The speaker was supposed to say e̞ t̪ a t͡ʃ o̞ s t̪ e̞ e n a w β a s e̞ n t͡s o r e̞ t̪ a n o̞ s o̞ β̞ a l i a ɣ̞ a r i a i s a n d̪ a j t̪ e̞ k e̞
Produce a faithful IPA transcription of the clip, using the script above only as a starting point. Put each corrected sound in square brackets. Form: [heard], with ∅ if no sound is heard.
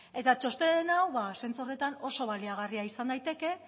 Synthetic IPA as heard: e̞ t̪ a t͡ʃ o̞ s t̪ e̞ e n a w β a s e̞ n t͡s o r e̞ t̪ a n o̞ s o̞ β̞ a l i a ɣ̞ a r i a i s a n d̪ a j t̪ e̞ k e̞

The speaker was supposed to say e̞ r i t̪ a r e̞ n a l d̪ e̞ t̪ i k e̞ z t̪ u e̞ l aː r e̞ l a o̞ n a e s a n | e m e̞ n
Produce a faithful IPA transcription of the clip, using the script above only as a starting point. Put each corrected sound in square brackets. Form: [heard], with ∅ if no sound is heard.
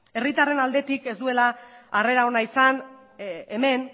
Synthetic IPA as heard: e̞ r i t̪ a r e̞ n a l d̪ e̞ t̪ i k e̞ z [d̪] u e̞ l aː r e̞ [ɾ] a o̞ n a [i] s a n | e m e̞ n

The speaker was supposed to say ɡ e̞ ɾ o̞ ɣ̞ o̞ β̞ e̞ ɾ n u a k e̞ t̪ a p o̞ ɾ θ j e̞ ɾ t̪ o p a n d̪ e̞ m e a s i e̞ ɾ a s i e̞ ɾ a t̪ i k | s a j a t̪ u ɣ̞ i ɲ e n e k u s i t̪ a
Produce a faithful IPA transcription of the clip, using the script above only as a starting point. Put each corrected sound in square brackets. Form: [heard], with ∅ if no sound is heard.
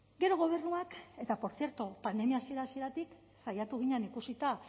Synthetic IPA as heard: ɡ e̞ ɾ o̞ ɣ̞ o̞ β̞ e̞ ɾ n u a k e̞ t̪ a p o̞ ɾ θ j e̞ ɾ t̪ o p a n d̪ e̞ m [i] a s i e̞ ɾ a s i e̞ ɾ a t̪ i k | s a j a t̪ u ɣ̞ i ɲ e n [i] k u s i t̪ a

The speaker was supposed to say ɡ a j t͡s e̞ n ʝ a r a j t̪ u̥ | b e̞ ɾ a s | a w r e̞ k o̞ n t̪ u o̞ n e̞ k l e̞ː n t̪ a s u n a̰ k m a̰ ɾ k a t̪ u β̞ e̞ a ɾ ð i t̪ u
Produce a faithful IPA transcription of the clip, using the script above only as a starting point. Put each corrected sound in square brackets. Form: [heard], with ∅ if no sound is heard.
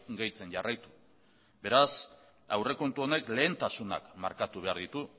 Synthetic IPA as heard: ɡ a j t͡s e̞ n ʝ a r a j t̪ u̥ | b e̞ ɾ a s | a w r e̞ k o̞ n t̪ u o̞ n e̞ k l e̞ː n t̪ a s u n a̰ k m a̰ ɾ k a t̪ u β̞ e̞ a ɾ ð i t̪ u

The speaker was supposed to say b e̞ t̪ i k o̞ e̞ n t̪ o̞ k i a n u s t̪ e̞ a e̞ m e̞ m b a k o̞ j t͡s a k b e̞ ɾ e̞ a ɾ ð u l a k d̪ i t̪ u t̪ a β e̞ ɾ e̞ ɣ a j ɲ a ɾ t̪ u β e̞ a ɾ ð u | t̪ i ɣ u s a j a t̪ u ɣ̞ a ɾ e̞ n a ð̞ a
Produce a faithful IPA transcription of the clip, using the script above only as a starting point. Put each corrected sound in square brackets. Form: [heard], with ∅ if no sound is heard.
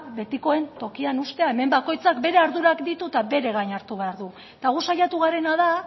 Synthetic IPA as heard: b e̞ t̪ i k o̞ e̞ n t̪ o̞ k i a n u s t̪ e̞ a e̞ m e̞ m b a k o̞ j t͡s a k b e̞ ɾ e̞ a ɾ ð u [ɾ] a k d̪ i t̪ u t̪ a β e̞ ɾ e̞ ɣ a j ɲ a ɾ t̪ u β e̞ a ɾ ð u | t̪ [a] ɣ u s a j a t̪ u ɣ̞ a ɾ e̞ n a ð̞ a

